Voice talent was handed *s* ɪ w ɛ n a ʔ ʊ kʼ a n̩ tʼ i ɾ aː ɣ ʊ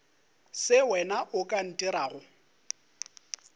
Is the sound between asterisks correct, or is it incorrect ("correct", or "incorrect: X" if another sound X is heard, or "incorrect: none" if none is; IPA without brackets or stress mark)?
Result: correct